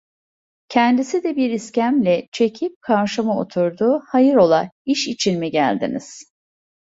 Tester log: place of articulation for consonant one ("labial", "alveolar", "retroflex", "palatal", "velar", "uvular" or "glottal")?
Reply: palatal